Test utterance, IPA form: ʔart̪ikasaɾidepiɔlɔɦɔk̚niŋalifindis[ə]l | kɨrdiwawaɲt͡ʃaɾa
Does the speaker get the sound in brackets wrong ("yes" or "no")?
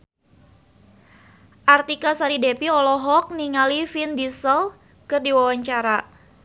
no